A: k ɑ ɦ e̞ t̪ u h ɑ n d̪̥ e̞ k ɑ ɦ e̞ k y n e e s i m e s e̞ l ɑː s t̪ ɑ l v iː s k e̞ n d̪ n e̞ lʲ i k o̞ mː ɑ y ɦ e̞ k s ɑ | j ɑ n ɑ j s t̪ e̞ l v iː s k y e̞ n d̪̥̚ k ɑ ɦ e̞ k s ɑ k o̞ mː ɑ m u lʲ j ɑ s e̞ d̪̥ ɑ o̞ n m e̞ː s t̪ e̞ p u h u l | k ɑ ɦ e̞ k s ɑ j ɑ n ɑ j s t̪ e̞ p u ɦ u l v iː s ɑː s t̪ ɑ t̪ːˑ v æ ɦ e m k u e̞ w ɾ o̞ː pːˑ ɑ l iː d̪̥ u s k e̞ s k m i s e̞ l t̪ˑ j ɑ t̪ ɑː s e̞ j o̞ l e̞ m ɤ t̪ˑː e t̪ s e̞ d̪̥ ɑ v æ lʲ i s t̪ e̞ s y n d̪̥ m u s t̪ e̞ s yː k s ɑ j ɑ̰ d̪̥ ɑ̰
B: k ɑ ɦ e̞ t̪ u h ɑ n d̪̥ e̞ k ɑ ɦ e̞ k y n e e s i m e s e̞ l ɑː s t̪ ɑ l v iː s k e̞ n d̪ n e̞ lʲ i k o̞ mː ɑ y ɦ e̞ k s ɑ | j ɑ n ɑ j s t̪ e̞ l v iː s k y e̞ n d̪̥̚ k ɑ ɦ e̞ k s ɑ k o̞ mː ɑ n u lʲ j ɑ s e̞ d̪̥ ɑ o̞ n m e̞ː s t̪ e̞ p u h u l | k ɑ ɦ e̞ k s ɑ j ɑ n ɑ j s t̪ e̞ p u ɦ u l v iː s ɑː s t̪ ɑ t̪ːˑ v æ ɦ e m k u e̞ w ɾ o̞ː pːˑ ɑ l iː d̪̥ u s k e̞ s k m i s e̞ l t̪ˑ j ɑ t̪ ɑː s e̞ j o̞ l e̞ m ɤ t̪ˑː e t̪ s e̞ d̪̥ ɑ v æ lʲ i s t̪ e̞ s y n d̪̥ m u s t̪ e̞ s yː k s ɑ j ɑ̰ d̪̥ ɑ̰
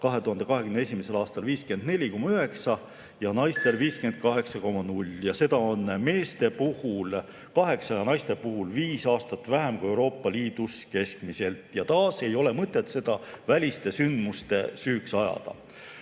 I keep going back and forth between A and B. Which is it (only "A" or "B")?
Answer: B